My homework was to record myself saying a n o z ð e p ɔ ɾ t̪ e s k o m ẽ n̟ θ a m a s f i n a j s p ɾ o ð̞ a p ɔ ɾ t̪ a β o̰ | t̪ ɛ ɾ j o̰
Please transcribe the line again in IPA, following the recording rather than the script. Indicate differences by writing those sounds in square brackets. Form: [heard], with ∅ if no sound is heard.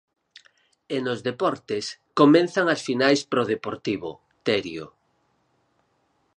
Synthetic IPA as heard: [e] n o z ð e p ɔ ɾ t̪ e s k o m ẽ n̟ θ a [ŋ] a s f i n a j s p ɾ o ð̞ [e] p [o] ɾ t̪ [i] β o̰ | t̪ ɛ ɾ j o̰